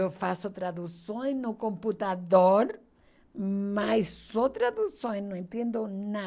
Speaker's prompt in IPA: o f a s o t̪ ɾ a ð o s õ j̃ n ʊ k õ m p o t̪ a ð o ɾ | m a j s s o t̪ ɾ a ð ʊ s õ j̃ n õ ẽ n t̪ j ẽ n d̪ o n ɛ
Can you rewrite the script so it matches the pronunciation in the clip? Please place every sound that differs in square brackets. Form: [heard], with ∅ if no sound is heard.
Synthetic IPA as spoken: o f a s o t̪ ɾ a ð [u] s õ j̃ n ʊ k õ m p [u] t̪ a ð o ɾ | m a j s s o t̪ ɾ a ð [u] s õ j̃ n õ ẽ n t̪ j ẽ n d̪ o n [a]